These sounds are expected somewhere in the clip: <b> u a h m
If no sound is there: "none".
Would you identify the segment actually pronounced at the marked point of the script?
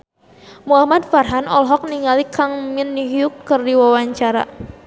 m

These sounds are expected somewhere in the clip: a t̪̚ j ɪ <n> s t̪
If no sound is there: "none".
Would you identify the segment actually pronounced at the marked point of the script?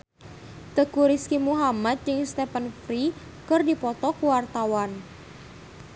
ŋ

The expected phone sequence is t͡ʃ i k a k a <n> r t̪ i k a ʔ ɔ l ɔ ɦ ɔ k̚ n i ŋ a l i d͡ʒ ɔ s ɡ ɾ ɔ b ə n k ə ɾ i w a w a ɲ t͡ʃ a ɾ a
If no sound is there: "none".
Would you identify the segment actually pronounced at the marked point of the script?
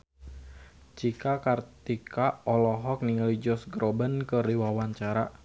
none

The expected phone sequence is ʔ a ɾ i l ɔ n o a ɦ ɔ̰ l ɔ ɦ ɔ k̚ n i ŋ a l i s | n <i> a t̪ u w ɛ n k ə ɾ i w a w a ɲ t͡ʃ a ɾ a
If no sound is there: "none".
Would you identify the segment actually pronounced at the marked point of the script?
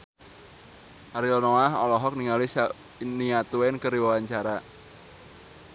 i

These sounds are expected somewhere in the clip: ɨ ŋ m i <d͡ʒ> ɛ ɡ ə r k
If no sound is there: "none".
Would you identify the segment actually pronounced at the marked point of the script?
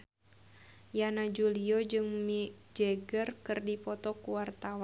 d͡ʒ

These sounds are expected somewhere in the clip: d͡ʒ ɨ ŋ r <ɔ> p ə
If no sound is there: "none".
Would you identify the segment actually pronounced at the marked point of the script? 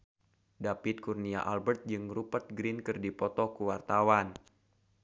u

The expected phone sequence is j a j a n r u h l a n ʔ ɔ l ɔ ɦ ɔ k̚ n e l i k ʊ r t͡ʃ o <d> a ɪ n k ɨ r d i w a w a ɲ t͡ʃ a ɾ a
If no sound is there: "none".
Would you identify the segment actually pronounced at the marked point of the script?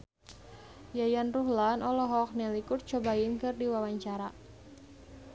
b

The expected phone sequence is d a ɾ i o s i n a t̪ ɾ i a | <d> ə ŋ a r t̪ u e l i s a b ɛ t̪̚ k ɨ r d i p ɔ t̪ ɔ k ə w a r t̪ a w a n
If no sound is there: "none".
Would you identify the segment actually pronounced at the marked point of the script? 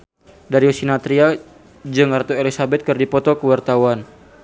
d͡ʒ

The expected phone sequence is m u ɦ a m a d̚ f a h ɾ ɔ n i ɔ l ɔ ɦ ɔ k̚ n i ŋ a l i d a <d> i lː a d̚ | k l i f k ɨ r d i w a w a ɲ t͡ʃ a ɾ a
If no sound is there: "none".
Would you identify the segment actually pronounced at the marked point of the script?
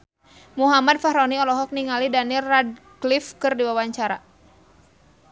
n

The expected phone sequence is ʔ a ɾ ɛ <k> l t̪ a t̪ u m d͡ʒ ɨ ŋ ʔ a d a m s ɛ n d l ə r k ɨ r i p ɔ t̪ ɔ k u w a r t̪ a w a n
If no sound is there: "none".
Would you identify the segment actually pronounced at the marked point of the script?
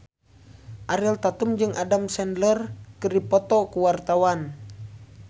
none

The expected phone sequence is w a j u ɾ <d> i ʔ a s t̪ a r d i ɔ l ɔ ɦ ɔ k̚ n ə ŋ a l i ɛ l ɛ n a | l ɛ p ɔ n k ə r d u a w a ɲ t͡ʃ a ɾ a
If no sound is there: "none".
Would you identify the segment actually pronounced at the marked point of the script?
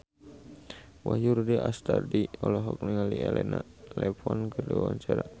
d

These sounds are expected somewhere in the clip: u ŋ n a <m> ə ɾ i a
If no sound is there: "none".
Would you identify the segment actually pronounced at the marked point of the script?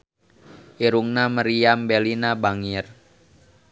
m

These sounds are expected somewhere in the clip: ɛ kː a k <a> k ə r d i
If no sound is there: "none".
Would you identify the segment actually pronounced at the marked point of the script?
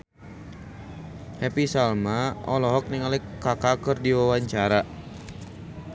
a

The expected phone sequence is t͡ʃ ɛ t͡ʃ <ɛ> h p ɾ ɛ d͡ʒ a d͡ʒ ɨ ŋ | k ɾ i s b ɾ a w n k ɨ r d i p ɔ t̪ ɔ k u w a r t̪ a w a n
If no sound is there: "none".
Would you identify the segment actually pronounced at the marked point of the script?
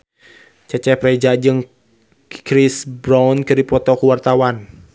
ɛ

